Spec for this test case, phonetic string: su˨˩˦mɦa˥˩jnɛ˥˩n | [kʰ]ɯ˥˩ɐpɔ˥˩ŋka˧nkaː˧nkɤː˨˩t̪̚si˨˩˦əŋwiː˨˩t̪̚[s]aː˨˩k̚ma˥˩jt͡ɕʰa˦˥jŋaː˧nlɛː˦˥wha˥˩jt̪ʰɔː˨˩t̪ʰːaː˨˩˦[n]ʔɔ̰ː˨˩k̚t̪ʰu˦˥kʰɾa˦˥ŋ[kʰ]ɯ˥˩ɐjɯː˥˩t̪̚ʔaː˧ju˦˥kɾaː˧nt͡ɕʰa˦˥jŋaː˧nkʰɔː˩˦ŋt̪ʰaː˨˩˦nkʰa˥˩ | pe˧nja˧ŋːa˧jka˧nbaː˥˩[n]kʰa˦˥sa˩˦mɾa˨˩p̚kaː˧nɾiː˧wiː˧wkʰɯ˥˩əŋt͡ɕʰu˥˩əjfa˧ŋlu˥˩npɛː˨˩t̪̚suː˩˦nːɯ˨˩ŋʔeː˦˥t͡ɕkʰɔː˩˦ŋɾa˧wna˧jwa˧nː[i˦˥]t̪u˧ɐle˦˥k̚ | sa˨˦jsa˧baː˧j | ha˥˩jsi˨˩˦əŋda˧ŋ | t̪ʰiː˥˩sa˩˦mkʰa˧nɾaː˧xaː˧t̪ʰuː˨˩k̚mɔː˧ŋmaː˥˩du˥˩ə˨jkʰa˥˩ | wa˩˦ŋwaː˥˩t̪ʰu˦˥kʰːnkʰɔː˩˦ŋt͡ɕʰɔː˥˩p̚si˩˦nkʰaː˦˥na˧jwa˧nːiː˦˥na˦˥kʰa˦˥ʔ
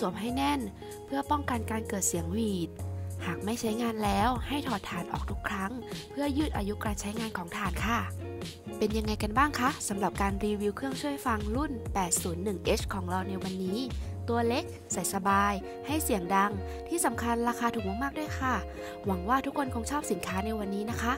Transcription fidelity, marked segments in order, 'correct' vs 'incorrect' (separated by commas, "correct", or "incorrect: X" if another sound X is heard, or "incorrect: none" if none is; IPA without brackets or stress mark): incorrect: pʰ, incorrect: h, correct, incorrect: pʰ, incorrect: ŋ, incorrect: iː˦˥